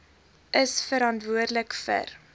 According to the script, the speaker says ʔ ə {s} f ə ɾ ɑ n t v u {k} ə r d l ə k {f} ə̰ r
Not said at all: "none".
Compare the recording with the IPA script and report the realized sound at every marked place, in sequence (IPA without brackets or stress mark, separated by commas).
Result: s, none, f